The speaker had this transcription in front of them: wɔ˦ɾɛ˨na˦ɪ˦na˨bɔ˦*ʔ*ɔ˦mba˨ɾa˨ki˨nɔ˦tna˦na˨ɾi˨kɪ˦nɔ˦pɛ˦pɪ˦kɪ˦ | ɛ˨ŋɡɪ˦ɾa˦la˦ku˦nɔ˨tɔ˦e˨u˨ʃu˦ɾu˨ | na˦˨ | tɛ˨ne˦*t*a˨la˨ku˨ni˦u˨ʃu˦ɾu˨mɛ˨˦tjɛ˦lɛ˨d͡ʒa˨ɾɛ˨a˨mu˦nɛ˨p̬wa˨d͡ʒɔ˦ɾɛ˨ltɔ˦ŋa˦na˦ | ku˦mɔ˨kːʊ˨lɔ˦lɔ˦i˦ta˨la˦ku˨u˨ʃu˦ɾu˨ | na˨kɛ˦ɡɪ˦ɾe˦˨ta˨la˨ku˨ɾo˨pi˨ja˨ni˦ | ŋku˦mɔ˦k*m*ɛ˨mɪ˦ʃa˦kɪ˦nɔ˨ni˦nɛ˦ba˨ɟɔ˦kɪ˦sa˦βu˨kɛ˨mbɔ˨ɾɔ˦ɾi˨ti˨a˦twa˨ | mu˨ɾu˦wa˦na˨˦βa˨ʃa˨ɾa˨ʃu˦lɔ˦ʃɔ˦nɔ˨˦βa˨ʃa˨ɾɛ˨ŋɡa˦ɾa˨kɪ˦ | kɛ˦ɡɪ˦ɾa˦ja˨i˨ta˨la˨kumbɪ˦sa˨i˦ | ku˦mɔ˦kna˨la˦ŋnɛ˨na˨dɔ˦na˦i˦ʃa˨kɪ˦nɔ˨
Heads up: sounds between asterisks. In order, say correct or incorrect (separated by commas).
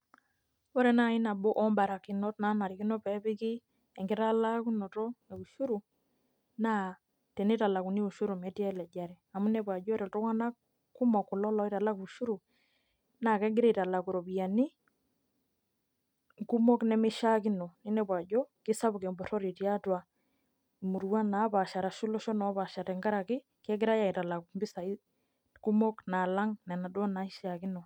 correct, correct, incorrect